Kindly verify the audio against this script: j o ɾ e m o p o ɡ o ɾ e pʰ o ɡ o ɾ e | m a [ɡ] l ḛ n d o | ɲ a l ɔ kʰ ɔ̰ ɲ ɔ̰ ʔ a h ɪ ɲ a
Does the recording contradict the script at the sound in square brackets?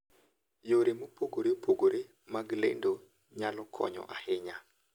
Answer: no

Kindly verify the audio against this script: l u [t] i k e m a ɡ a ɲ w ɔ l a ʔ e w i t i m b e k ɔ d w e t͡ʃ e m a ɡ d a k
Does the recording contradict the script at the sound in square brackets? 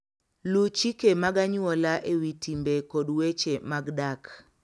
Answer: yes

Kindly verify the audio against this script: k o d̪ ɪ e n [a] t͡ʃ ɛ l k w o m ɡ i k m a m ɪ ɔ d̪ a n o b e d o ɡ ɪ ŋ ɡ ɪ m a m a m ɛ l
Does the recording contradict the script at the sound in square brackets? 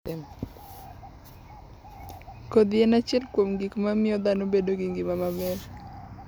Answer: no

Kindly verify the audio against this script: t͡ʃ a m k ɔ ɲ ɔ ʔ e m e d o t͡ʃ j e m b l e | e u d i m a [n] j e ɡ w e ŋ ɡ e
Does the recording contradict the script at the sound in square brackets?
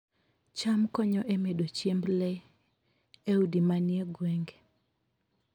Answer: no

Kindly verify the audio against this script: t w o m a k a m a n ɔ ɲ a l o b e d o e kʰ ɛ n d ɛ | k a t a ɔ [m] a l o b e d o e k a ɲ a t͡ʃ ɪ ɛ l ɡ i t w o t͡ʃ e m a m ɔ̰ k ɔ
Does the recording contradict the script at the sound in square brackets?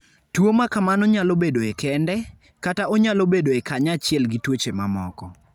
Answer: yes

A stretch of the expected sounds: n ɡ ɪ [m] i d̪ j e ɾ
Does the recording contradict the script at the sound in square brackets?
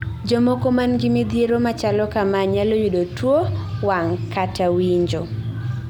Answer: no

